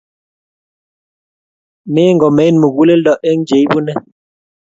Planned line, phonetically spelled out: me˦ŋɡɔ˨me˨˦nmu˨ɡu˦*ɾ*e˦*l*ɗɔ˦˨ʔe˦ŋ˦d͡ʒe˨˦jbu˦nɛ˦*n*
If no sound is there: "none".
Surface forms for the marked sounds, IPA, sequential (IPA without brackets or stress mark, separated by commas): l, l, none